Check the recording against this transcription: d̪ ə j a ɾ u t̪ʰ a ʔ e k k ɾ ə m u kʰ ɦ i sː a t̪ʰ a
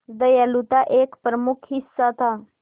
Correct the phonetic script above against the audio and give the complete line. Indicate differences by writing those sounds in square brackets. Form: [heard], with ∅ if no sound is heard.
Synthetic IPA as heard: d̪ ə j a [l] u [t̪] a ʔ e k [p] ɾ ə m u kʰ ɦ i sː a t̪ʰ a